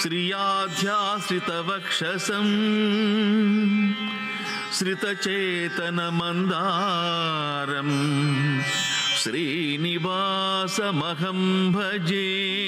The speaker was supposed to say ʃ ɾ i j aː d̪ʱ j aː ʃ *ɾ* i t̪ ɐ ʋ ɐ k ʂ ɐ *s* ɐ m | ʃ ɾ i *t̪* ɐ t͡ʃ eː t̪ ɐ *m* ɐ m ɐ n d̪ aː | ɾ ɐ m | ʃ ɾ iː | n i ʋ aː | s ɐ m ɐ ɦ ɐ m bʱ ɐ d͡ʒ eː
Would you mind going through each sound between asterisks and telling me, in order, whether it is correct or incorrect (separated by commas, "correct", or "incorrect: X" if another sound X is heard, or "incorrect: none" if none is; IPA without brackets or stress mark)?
correct, correct, correct, incorrect: n